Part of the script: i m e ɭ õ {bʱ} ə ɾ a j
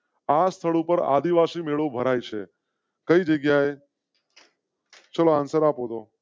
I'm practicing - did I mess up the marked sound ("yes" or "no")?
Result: no